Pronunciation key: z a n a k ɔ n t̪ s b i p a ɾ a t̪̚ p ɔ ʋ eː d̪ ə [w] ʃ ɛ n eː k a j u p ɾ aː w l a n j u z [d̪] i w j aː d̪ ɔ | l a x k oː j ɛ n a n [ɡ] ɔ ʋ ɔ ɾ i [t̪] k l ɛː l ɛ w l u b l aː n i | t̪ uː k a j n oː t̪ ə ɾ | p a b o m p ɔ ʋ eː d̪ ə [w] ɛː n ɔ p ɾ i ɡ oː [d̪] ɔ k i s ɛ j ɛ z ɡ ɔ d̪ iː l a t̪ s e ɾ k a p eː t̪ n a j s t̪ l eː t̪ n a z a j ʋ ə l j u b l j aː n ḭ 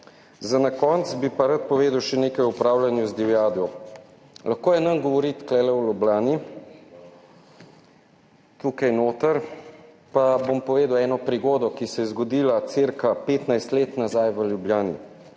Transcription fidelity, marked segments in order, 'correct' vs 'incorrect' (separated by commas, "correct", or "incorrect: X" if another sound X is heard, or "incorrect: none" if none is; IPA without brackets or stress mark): correct, correct, correct, correct, correct, correct